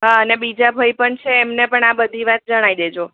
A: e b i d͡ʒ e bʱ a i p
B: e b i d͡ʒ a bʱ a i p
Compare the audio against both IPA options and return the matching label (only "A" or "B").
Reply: B